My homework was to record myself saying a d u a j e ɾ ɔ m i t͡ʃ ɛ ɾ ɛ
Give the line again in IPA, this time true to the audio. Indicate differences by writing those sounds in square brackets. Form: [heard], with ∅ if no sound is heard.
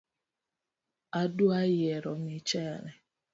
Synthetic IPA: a d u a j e ɾ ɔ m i t͡ʃ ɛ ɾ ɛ